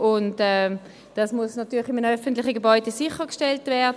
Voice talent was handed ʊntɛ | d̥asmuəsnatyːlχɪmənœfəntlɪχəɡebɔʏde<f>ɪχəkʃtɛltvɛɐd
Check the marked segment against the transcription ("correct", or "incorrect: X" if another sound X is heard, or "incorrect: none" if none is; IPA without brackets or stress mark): incorrect: s